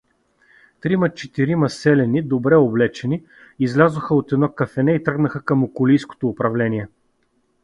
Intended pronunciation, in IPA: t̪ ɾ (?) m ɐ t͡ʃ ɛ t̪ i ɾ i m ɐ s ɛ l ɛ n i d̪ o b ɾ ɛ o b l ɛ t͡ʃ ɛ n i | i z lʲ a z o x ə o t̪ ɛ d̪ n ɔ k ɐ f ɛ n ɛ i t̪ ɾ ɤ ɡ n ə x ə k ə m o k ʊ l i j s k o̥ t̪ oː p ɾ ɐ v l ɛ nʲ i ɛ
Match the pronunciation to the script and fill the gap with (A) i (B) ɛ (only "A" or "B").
A